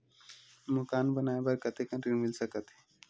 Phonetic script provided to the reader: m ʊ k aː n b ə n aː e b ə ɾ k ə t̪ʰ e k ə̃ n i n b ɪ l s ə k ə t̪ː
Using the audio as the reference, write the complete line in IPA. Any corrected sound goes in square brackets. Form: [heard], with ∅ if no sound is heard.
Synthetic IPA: m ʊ k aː n b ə n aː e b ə ɾ k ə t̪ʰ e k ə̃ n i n [m] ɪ l s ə k ə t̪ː